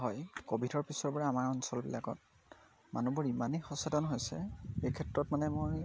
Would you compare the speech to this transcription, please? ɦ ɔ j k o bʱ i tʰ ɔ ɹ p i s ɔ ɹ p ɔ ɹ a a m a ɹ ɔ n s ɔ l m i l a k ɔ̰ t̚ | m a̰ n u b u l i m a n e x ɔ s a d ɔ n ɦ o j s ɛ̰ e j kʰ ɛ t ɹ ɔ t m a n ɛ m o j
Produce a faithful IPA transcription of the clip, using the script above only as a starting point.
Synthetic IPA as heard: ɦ ɔ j k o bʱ i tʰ ɔ ɹ p i s ɔ ɹ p ɔ ɹ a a m a ɹ ɔ n s ɔ l b i l a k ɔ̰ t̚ | m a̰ n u b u ɹ i m a n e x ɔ s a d ɔ n ɦ o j s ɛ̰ e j kʰ ɛ t ɹ ɔ t m a n ɛ m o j